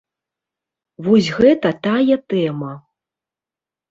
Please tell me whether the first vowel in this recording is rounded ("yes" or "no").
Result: yes